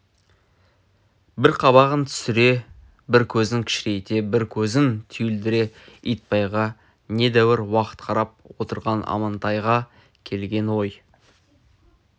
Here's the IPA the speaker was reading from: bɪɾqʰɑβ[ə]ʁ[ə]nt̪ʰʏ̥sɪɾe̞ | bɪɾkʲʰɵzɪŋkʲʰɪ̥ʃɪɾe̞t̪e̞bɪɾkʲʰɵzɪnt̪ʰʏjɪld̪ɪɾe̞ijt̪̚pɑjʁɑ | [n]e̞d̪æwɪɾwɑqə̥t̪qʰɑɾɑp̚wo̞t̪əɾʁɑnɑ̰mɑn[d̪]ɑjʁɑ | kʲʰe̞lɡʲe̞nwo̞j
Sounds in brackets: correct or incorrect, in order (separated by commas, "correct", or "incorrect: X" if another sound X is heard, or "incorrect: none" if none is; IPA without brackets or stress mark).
incorrect: ɑ, correct, correct, incorrect: t̪